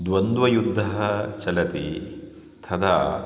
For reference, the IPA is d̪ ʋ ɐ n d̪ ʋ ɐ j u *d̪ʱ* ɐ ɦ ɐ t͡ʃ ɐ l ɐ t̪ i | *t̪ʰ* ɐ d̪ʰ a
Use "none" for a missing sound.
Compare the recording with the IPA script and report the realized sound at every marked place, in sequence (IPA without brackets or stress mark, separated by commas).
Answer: d̪ʱː, t̪ʰ